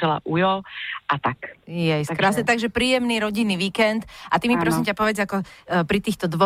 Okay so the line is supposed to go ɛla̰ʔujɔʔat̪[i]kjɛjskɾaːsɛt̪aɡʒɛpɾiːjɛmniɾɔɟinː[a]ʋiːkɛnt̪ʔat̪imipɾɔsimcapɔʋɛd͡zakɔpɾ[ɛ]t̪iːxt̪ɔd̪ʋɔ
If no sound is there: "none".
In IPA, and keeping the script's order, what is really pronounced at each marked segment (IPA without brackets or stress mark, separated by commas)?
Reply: a, i, i